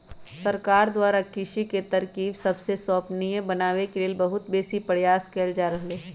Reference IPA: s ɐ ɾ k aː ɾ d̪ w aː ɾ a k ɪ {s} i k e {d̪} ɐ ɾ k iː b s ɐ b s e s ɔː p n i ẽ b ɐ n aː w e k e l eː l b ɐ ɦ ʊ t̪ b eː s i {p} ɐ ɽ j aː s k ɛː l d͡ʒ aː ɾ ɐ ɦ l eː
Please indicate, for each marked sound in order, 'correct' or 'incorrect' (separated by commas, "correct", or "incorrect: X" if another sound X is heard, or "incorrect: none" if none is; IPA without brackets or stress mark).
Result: incorrect: ʃ, incorrect: t̪, correct